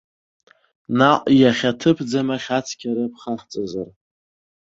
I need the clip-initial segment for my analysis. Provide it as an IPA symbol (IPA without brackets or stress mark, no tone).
n